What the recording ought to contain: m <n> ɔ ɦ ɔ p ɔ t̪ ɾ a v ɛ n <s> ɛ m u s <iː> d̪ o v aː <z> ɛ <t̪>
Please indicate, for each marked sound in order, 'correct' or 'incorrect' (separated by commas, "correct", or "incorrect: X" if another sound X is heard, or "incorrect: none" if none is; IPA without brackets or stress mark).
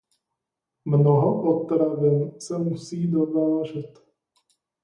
correct, correct, correct, incorrect: ʒ, correct